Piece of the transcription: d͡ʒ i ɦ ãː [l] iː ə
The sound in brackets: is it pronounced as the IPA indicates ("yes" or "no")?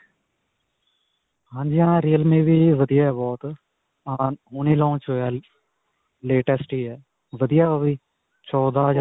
no